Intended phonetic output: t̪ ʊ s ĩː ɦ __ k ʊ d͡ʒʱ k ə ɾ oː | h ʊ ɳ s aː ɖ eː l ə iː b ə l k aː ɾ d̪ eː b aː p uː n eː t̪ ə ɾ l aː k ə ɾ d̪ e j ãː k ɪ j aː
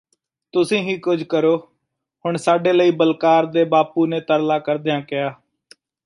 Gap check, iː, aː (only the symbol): iː